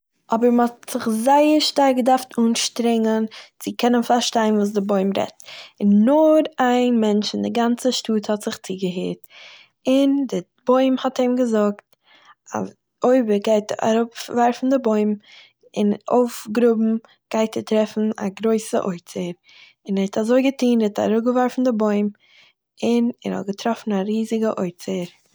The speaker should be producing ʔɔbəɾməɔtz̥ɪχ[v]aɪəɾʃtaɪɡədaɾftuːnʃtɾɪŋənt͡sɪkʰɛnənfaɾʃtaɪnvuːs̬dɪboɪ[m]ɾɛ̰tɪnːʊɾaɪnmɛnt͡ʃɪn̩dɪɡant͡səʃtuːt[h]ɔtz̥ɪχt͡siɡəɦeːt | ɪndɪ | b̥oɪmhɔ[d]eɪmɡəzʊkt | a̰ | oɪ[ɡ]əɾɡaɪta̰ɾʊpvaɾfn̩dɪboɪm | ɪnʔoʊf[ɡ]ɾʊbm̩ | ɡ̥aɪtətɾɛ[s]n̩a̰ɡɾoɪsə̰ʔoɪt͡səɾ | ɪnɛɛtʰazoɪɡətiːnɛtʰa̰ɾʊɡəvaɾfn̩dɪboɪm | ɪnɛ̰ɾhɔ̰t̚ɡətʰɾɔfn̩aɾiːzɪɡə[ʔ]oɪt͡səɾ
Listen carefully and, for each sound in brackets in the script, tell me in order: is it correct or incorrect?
incorrect: z, correct, correct, incorrect: t, incorrect: b, correct, incorrect: f, correct

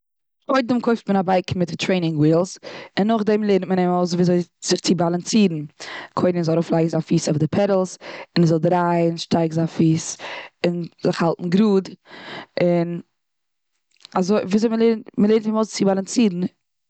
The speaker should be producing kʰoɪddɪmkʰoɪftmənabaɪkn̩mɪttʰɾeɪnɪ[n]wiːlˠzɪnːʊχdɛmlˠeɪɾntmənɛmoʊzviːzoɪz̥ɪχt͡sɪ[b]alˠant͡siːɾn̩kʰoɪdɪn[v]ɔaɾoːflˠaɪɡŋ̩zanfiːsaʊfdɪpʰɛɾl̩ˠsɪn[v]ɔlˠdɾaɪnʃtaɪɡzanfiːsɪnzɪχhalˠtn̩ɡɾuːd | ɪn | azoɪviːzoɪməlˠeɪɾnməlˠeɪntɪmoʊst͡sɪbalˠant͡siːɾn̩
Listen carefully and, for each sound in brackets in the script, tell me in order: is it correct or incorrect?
incorrect: ŋ, correct, incorrect: z, incorrect: z

